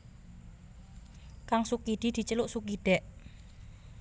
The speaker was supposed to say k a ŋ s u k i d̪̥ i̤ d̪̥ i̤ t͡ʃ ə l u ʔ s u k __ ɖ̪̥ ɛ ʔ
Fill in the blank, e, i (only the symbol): i